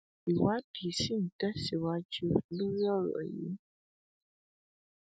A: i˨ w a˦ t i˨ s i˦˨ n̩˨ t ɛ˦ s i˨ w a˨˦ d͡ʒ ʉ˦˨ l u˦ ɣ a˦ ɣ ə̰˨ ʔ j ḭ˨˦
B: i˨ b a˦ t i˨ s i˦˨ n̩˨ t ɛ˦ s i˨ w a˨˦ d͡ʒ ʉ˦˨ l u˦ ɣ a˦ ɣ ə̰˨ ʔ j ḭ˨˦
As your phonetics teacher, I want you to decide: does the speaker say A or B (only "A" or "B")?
A